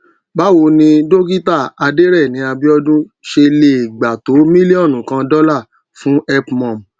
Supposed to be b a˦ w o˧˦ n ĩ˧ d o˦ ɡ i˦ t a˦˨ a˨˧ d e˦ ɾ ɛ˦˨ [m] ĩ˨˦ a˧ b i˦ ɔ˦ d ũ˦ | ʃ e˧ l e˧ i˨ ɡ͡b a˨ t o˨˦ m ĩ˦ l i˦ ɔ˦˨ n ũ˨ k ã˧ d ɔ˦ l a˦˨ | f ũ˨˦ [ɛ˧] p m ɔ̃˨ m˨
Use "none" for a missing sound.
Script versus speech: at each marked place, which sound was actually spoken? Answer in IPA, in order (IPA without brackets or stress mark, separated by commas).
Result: n, ɛ˧